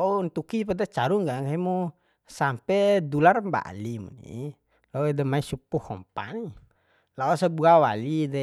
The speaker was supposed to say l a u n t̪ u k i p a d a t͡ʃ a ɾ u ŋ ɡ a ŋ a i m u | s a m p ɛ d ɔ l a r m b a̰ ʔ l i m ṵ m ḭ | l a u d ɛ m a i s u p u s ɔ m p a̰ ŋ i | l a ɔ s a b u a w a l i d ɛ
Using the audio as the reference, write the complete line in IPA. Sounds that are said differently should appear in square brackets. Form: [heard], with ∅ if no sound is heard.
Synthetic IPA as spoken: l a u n t̪ u k i p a d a t͡ʃ a ɾ u ŋ ɡ a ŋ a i m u | s a m p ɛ d [u] l a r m b a̰ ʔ l i m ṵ [n] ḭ | l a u d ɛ m a i s u p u [h] ɔ m p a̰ [n] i | l a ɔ s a b u a w a l i d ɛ